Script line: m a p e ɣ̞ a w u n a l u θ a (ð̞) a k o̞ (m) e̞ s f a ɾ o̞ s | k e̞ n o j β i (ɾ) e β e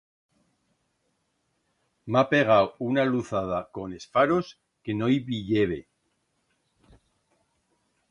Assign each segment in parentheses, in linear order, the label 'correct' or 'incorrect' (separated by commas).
correct, incorrect, incorrect